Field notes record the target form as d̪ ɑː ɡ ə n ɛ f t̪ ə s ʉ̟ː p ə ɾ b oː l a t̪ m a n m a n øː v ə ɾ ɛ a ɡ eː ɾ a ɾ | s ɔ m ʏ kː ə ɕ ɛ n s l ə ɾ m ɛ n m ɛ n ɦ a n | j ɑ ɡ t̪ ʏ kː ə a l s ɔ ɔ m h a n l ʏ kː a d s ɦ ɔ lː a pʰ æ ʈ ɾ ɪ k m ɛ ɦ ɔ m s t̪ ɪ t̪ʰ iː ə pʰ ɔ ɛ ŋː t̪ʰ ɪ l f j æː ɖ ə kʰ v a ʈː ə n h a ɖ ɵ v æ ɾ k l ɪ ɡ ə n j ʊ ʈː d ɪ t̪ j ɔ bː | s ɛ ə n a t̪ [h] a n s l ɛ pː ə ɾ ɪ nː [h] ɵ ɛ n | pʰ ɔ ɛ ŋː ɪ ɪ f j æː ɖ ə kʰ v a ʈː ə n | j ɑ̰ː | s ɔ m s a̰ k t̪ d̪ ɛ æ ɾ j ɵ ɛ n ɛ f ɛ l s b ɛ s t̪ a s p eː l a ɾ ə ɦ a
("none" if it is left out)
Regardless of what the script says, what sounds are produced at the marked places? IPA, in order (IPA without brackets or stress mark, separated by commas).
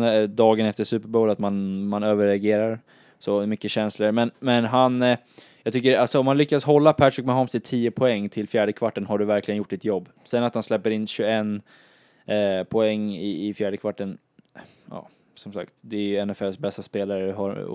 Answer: h, ɕ